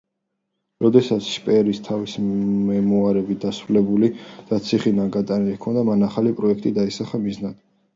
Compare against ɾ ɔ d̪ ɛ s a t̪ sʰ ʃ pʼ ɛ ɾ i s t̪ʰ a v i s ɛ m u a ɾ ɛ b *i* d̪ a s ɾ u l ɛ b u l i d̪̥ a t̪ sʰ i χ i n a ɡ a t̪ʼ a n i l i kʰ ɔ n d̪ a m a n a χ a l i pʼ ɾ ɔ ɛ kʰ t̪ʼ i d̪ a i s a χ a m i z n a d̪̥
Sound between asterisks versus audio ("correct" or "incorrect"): correct